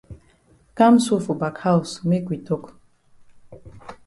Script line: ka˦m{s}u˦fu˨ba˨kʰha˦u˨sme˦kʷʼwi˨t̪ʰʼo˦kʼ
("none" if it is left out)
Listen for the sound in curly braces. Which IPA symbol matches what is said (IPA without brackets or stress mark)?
s